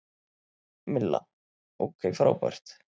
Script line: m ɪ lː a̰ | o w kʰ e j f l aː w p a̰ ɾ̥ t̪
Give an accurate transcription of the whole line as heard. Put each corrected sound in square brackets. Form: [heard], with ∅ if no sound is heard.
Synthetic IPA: m ɪ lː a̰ | o w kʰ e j f [ɾ] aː w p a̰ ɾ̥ t̪